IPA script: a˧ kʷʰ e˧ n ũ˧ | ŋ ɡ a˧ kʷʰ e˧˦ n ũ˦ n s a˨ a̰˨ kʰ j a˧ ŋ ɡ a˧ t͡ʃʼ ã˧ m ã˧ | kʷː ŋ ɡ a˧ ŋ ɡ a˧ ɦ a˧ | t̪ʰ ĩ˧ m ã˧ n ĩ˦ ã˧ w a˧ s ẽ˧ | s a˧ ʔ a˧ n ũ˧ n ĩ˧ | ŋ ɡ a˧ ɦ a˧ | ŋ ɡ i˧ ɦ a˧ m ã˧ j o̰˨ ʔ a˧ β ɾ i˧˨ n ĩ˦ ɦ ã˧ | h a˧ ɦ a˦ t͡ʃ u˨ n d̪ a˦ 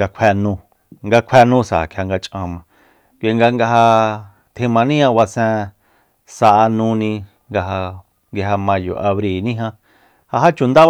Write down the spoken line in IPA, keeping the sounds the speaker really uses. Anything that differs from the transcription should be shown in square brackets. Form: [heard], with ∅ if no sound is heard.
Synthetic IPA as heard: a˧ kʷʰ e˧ n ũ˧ | ŋ ɡ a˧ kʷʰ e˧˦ n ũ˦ [∅] s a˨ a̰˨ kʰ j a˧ ŋ ɡ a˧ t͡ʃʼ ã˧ m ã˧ | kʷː ŋ ɡ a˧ ŋ ɡ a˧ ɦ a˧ | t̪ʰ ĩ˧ m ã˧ n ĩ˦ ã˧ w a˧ s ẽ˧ | s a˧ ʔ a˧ n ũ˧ n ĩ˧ | ŋ ɡ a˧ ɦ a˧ | ŋ ɡ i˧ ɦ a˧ m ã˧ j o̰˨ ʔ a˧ β ɾ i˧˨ n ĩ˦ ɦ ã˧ | h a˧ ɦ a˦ t͡ʃ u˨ n d̪ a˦